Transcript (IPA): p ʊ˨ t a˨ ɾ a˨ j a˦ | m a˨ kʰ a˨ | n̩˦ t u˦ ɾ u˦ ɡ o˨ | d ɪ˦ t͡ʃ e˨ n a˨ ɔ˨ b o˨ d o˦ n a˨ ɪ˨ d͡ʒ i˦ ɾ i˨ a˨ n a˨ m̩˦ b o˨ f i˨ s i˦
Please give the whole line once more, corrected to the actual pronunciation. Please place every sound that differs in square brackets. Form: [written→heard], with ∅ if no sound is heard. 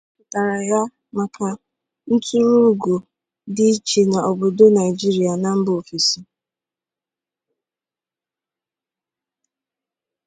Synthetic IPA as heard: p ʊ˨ t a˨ ɾ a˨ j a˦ | m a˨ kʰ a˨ | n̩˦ t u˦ ɾ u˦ ɡ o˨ | d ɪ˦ t͡ʃ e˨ n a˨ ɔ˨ b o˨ d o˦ n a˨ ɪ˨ d͡ʒ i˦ ɾ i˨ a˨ n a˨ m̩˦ b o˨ f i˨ s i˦